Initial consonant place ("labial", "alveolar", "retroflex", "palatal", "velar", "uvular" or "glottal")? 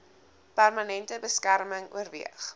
labial